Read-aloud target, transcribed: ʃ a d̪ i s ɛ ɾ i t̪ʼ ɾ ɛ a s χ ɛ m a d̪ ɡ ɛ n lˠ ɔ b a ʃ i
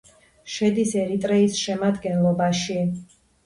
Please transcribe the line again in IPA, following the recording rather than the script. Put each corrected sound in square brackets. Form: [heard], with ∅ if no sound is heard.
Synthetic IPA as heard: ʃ [ɛ] d̪ i s ɛ ɾ i t̪ʼ ɾ ɛ [i] s [ʃ] ɛ m a d̪ ɡ ɛ n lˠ ɔ b a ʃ i